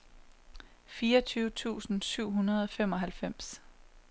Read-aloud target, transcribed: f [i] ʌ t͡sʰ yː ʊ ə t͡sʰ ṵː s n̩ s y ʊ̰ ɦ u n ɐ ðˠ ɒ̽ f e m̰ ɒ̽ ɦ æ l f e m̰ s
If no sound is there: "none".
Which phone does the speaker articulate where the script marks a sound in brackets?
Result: iː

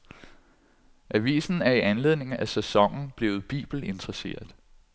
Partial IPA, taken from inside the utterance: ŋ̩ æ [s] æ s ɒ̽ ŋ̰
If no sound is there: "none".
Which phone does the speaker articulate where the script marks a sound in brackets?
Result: s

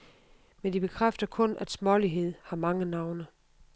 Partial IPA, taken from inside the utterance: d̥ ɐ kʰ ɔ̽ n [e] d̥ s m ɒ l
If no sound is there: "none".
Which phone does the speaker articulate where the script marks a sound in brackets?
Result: æ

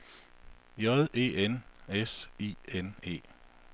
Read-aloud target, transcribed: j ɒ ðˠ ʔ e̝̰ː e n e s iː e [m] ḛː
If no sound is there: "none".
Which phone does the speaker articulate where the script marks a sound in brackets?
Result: n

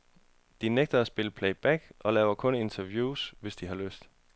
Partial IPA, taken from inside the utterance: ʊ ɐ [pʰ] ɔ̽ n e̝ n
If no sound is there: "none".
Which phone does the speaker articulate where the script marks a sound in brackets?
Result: kʰ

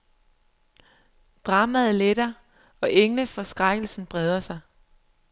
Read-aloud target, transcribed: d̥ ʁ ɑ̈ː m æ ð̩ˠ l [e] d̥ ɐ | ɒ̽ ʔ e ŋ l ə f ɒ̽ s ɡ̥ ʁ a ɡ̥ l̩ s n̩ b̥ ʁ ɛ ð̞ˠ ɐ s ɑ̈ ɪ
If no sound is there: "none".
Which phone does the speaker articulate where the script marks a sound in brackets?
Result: e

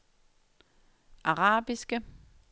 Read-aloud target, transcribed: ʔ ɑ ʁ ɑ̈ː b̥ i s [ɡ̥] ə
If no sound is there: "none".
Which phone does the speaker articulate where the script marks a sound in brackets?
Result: ɡ̥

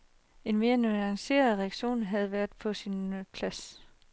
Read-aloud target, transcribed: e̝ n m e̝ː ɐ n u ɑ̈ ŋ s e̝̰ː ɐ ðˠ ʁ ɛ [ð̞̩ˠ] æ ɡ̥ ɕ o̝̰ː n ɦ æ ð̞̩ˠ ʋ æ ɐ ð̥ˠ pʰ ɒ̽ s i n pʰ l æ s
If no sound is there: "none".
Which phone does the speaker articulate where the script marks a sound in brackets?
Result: none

